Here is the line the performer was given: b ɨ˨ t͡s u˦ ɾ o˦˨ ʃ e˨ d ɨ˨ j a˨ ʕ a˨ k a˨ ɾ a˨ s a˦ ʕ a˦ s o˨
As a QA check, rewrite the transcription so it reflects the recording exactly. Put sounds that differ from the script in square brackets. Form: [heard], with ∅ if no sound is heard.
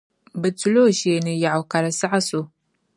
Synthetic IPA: b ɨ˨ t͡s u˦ [l] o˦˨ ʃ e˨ [n] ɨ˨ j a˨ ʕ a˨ k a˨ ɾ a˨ s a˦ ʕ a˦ s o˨